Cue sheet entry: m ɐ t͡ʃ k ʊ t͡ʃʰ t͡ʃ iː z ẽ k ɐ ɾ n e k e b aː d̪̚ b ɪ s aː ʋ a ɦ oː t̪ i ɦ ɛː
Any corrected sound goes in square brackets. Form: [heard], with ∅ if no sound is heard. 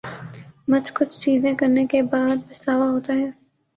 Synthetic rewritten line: m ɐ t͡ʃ k ʊ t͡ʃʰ t͡ʃ iː z ẽ k ɐ ɾ n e k e b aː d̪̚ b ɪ s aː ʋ a ɦ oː t̪ [a] ɦ ɛː